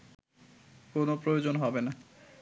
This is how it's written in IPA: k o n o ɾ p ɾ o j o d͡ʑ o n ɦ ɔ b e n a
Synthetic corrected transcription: k o n o p ɾ o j o d͡ʑ o n ɦ ɔ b e n a